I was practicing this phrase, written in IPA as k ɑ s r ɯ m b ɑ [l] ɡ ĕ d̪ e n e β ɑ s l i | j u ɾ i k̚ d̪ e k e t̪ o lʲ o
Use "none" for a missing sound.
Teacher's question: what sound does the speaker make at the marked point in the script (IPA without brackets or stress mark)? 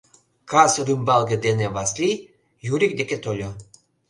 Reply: l